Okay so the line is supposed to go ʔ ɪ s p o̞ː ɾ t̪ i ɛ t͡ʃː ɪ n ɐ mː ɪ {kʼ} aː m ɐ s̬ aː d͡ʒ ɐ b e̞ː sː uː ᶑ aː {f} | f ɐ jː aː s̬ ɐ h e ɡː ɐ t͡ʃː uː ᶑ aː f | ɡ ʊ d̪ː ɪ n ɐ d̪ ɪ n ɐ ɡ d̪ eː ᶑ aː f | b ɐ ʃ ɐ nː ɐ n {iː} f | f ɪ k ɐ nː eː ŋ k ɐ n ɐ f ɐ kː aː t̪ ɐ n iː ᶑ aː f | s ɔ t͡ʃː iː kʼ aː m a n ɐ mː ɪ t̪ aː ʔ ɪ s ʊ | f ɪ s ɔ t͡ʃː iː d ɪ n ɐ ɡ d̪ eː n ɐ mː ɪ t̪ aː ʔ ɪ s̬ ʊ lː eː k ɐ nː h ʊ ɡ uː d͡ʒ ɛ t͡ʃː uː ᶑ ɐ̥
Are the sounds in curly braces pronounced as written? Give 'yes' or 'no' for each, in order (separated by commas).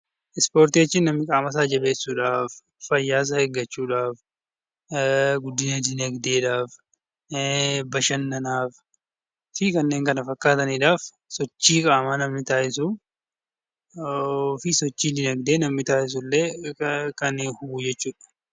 yes, yes, no